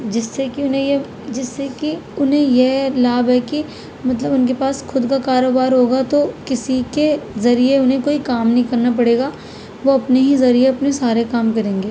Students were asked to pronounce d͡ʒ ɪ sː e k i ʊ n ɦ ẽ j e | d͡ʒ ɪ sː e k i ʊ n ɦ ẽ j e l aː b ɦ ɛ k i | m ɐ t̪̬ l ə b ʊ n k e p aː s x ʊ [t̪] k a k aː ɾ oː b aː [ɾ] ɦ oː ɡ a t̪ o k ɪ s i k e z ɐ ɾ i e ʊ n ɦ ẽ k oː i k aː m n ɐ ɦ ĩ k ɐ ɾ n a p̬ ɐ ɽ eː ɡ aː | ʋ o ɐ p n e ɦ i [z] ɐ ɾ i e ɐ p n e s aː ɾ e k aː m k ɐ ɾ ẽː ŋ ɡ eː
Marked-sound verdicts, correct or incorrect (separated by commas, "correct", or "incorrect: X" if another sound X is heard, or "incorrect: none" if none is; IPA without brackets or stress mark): incorrect: d̪, correct, correct